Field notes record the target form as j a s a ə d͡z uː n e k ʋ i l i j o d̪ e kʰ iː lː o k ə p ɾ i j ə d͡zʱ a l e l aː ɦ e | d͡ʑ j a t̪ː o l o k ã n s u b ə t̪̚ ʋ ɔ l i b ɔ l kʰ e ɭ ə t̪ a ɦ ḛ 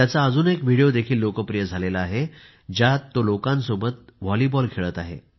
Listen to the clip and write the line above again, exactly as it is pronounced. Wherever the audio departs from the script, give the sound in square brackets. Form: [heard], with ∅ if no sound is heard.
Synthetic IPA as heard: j a [t͡s] a ə d͡z uː n e k ʋ i [ɽ] i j o d̪ e kʰ iː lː o k ə p ɾ i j ə d͡zʱ a l e l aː ɦ e | d͡ʑ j a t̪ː o l o k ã n s [o] b ə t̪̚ ʋ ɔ l i b ɔ l kʰ e ɭ ə t̪ a ɦ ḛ